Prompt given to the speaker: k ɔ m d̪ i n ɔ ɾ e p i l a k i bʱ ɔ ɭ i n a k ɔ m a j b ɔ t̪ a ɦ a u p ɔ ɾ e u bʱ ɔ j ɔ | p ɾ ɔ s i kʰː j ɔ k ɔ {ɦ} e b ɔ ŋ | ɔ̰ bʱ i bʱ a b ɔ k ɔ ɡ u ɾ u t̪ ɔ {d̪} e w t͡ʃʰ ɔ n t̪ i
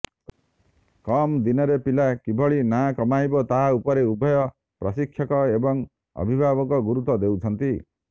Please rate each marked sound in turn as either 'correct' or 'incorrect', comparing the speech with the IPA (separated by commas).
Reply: incorrect, correct